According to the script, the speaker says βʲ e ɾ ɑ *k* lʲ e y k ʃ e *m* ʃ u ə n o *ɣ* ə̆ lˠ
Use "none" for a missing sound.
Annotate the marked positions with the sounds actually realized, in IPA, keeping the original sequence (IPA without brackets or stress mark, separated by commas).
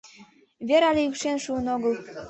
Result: none, n, ɣ